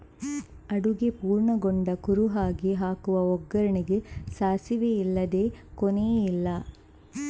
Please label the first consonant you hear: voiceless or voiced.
voiced